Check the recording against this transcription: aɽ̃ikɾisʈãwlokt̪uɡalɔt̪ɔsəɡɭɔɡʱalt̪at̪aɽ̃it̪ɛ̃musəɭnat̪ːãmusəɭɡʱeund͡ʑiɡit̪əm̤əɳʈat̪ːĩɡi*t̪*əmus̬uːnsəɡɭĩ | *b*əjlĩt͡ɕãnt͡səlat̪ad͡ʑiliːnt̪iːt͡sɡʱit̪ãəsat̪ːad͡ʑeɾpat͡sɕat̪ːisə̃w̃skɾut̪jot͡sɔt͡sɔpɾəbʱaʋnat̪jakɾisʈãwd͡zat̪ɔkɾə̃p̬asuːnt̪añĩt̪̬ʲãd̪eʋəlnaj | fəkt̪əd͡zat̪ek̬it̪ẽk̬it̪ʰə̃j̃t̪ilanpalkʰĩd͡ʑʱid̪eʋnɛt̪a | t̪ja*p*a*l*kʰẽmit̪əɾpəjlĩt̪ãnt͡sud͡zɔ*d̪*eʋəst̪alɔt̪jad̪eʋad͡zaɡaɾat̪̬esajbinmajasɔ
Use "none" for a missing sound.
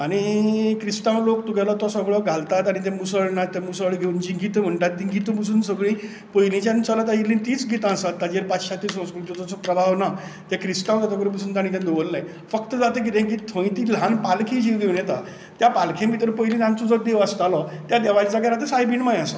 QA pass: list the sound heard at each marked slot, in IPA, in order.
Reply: t̪, p, p, l, d̪

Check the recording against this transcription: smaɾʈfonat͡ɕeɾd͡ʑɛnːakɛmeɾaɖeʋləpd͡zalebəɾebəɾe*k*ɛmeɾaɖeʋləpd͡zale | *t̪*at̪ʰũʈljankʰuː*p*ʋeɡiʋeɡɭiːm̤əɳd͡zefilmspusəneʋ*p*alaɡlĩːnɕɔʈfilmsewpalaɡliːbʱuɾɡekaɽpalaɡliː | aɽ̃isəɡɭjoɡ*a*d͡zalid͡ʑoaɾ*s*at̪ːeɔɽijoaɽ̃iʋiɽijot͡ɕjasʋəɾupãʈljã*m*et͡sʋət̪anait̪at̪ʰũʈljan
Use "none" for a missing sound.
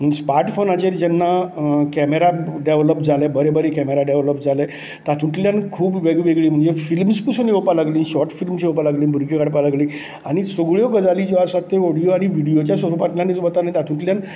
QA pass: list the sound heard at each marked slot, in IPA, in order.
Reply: k, t̪, b, p, ə, s, n

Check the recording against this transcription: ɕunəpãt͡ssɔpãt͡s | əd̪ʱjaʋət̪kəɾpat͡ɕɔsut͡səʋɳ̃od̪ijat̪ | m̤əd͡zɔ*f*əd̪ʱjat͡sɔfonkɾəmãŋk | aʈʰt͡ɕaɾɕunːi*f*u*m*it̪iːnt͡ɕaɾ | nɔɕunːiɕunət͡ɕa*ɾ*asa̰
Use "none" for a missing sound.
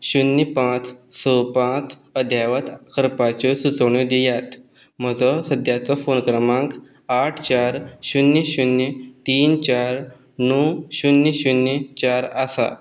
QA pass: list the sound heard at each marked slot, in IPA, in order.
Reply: s, ɕ, n, ɾ

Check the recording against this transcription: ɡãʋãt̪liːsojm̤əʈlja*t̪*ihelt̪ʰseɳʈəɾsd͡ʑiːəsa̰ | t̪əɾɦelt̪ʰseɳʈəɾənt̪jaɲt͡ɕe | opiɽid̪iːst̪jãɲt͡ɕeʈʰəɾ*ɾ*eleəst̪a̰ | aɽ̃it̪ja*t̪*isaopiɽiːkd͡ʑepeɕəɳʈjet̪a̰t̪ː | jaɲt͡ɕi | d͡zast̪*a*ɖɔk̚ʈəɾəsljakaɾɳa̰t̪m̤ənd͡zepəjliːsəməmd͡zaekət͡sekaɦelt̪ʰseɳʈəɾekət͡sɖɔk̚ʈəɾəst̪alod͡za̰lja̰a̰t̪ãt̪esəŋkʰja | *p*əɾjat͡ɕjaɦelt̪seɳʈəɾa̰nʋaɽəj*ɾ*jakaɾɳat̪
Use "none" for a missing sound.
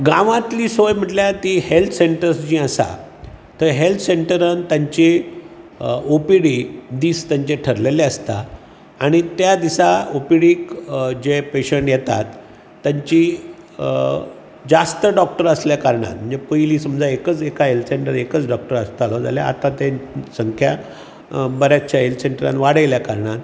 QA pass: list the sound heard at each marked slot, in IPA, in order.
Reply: t̪, l, d̪, ə, b, l

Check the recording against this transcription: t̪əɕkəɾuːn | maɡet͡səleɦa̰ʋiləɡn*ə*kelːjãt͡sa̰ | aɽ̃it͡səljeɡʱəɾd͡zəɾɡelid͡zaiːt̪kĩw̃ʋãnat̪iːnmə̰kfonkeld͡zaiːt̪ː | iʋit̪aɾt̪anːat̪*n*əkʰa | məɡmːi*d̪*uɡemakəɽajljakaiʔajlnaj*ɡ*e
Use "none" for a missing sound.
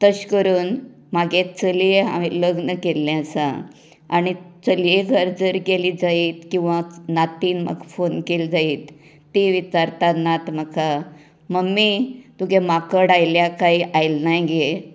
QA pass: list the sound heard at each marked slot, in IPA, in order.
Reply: ə, m, t̪, ɡ

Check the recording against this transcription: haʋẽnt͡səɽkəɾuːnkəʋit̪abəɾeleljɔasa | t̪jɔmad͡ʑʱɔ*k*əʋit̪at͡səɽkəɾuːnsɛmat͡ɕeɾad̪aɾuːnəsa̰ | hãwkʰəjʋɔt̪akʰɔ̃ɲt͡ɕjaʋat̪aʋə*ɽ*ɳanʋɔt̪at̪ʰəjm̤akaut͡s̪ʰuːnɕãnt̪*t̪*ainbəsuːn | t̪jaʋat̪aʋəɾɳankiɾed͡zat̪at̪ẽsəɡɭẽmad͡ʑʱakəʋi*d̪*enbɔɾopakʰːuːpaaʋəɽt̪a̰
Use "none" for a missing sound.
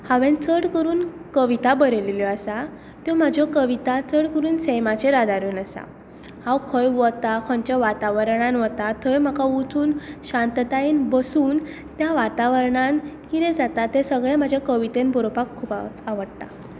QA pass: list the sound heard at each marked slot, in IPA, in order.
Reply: k, ɾ, t̪, t̪

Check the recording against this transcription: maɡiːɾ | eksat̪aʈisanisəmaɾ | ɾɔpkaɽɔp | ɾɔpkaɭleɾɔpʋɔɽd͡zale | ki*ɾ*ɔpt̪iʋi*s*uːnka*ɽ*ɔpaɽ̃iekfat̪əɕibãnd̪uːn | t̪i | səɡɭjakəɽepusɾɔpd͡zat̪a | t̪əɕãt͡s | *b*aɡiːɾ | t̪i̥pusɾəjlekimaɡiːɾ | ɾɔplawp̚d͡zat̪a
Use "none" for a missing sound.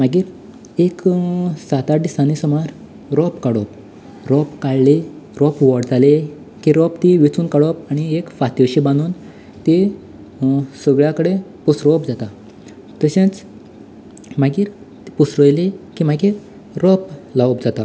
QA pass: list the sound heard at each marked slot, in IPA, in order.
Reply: ɾ, t͡s, ɽ, m

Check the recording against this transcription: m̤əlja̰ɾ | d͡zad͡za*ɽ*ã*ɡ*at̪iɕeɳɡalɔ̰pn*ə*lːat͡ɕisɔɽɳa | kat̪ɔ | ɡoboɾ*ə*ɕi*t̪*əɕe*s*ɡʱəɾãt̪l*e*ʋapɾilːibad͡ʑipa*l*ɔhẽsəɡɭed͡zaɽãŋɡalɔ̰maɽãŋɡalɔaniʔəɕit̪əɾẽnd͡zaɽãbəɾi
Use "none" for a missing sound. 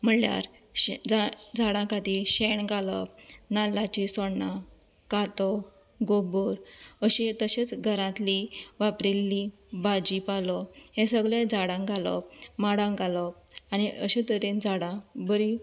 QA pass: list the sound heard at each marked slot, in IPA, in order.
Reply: ɽ, k, a, ə, t̪, t͡s, i, l

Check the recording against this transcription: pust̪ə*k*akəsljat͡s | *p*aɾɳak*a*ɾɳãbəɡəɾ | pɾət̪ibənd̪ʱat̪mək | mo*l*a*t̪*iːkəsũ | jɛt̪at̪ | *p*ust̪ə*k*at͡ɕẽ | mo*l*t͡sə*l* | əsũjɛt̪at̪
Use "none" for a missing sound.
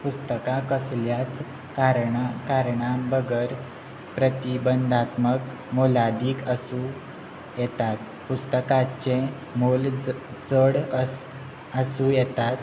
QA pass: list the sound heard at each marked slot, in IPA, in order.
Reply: k, k, a, l, d̪, p, k, l, ɽ

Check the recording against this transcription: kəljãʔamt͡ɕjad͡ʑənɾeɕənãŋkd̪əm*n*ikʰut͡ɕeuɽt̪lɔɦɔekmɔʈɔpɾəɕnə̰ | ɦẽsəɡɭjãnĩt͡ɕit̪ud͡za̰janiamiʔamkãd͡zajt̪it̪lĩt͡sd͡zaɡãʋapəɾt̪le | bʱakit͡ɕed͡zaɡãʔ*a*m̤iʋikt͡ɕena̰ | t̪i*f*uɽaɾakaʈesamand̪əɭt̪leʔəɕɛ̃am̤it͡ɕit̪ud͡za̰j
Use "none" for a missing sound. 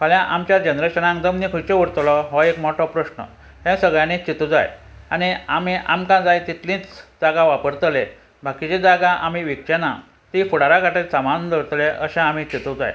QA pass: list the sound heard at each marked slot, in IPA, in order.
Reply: n, a, f

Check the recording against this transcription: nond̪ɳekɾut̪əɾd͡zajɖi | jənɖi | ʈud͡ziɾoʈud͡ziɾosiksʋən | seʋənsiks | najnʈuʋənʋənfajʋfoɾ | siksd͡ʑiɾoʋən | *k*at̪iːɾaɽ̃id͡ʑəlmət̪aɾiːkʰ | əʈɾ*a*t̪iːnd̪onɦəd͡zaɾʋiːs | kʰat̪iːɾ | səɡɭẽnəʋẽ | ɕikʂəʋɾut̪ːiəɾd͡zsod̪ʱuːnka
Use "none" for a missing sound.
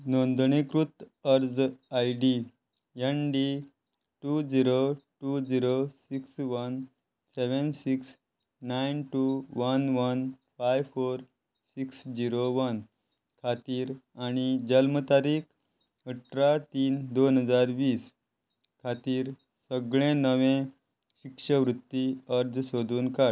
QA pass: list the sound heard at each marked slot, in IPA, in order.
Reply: kʰ, a

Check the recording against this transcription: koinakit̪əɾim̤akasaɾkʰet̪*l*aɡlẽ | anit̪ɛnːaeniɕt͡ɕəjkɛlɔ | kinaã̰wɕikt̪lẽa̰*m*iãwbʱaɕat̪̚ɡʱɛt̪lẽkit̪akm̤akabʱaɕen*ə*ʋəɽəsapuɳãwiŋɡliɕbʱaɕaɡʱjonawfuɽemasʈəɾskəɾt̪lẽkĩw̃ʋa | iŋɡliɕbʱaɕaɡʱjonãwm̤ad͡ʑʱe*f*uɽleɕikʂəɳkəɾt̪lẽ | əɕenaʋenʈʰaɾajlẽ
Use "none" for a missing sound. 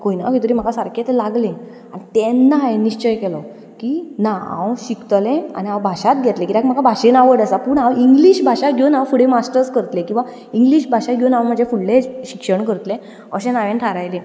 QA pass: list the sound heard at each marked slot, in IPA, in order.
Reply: l, n, a, f

